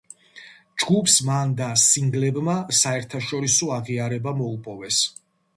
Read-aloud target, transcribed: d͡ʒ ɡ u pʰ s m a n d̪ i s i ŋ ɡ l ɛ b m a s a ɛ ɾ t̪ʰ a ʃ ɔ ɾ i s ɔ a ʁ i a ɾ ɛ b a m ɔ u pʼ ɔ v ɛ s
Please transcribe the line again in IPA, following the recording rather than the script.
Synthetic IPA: d͡ʒ ɡ u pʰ s m a n d̪ a s i ŋ ɡ l ɛ b m a s a ɛ ɾ t̪ʰ a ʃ ɔ ɾ i s ɔ a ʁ i a ɾ ɛ b a m ɔ u pʼ ɔ v ɛ s

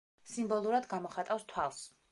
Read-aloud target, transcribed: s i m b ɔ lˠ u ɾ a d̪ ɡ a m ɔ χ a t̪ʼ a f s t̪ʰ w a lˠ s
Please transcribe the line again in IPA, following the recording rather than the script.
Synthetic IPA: s i m b ɔ lˠ u ɾ a d̪ ɡ a m ɔ χ a t̪ʼ a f s t̪ʰ w a lˠ s

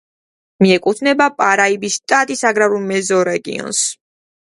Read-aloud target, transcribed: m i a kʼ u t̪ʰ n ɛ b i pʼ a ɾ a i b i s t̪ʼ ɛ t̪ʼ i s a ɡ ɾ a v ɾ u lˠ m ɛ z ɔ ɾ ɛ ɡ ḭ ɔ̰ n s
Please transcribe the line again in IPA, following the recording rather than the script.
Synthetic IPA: m i ɛ kʼ u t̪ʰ n ɛ b a pʼ a ɾ a i b i s t̪ʼ a t̪ʼ i s a ɡ ɾ a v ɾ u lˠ m ɛ z ɔ ɾ ɛ ɡ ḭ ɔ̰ n s

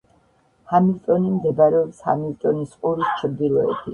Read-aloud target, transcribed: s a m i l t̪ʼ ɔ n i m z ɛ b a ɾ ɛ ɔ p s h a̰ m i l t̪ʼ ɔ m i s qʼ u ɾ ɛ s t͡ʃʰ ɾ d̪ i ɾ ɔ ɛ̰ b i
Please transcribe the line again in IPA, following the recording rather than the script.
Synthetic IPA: h a m i l t̪ʼ ɔ n i m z ɛ b a ɾ ɛ ɔ p s h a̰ m i l t̪ʼ ɔ n i s qʼ u ɾ i s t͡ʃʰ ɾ d̪ i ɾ ɔ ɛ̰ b i

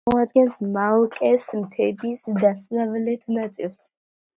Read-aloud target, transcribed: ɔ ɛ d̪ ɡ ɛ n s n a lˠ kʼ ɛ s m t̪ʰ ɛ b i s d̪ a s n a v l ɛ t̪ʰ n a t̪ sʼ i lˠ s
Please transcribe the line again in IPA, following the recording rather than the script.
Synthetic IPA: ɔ a d̪ ɡ ɛ n s m a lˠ kʼ ɛ s m t̪ʰ ɛ b i s d̪ a s n a v l ɛ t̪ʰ n a t̪ sʼ i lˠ s

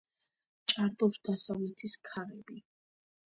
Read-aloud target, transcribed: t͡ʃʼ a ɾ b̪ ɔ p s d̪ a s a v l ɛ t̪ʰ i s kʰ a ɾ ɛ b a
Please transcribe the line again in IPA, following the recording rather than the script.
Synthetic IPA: t͡ʃʼ a ɾ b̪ ɔ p s d̪ a s a v l ɛ t̪ʰ i s kʰ a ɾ ɛ b i

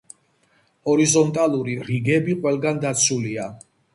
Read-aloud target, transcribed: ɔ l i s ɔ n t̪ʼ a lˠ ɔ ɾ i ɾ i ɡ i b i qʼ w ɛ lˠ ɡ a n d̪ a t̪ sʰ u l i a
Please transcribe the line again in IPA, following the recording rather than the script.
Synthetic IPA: ɔ ɾ i z ɔ n t̪ʼ a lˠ u ɾ i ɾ i ɡ ɛ b i qʼ w ɛ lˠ ɡ a n d̪ a t̪ sʰ u l i a

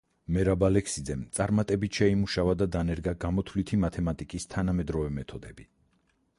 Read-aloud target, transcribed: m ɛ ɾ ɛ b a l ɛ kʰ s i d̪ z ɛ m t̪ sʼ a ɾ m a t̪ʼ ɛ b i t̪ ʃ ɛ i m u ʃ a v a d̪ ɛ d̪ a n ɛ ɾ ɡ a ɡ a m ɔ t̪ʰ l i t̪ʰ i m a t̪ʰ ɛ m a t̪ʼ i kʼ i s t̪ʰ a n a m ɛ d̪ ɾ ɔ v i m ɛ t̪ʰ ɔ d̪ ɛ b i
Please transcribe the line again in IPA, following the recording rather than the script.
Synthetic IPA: m ɛ ɾ a b a l ɛ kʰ s i d̪ z ɛ m t̪ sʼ a ɾ m a t̪ʼ ɛ b i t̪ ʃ ɛ i m u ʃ a v a d̪ a d̪ a n ɛ ɾ ɡ a ɡ a m ɔ t̪ʰ l i t̪ʰ i m a t̪ʰ ɛ m a t̪ʼ i kʼ i s t̪ʰ a n a m ɛ d̪ ɾ ɔ v ɛ m ɛ t̪ʰ ɔ d̪ ɛ b i

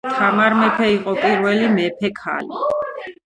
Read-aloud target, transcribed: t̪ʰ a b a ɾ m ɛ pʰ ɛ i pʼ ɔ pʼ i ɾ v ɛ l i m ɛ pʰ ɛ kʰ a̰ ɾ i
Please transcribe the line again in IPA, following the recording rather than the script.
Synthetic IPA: t̪ʰ a m a ɾ m ɛ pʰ ɛ i qʼ ɔ pʼ i ɾ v ɛ l i m ɛ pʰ ɛ kʰ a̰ l i

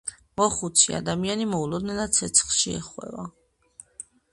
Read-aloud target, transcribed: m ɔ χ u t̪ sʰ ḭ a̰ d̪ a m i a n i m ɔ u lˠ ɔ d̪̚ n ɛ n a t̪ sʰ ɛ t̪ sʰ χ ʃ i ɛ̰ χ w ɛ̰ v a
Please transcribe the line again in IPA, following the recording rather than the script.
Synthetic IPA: m ɔ χ u t̪ sʰ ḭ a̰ d̪ a m i a n i m ɔ u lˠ ɔ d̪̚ n ɛ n a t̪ sʰ ɛ t̪ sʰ χ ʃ i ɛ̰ χ w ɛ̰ v a

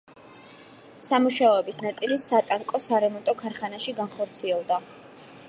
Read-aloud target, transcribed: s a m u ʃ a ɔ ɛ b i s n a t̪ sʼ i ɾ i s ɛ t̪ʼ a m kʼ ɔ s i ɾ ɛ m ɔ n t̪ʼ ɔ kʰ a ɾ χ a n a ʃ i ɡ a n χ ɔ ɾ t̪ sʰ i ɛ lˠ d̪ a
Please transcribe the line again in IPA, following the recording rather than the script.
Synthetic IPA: s a m u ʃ a ɔ ɛ b i s n a t̪ sʼ i l i s a t̪ʼ a ŋ kʼ ɔ s a ɾ ɛ m ɔ n t̪ʼ ɔ kʰ a ɾ χ a n a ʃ i ɡ a n χ ɔ ɾ t̪ sʰ i ɛ lˠ d̪ a

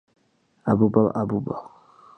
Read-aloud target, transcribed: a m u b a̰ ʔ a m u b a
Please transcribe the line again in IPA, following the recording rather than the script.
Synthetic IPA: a b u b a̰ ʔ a b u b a

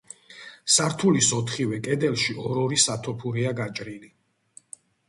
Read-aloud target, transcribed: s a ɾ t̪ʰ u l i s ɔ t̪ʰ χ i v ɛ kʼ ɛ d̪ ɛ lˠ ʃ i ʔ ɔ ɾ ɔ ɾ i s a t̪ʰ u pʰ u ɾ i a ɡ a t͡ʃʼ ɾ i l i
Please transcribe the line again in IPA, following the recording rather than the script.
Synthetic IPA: s a ɾ t̪ʰ u l i s ɔ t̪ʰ χ i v ɛ kʼ ɛ d̪ ɛ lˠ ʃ i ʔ ɔ ɾ ɔ ɾ i s a t̪ʰ ɔ pʰ u ɾ i a ɡ a t͡ʃʼ ɾ i l i

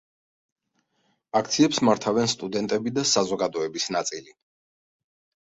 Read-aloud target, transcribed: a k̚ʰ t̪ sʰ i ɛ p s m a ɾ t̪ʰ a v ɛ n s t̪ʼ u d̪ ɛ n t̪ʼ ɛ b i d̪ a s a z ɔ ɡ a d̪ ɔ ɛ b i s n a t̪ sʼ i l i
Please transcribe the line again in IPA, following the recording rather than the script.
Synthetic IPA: a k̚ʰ t̪ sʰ i ɛ p s m a ɾ t̪ʰ a v ɛ n s t̪ʼ u d̪ ɛ n t̪ʼ ɛ b i d̪ a s a z ɔ ɡ a d̪ ɔ ɛ b i s n a t̪ sʼ i l i

